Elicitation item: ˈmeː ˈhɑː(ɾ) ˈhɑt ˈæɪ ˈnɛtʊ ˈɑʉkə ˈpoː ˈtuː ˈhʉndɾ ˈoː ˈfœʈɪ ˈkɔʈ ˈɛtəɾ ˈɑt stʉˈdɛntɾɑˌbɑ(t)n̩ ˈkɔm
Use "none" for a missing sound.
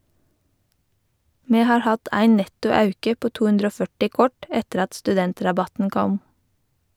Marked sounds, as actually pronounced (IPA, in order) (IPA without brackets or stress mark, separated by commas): ɹ, t